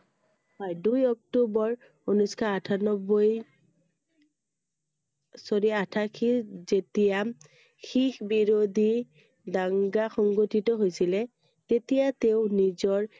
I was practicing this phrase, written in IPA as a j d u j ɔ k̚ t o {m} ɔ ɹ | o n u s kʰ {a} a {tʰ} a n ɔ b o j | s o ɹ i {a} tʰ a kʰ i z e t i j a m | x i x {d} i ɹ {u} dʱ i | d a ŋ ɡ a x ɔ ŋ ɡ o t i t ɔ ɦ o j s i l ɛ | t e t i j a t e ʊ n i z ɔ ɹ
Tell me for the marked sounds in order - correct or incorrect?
incorrect, correct, correct, correct, incorrect, incorrect

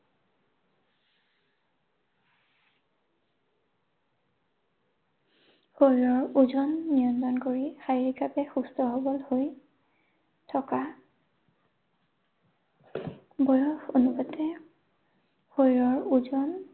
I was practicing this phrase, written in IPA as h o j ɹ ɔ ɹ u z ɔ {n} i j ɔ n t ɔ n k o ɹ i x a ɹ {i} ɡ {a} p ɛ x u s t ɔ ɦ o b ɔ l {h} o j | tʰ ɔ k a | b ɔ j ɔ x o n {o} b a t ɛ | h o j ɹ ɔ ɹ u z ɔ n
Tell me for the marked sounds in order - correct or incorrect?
incorrect, correct, correct, correct, incorrect

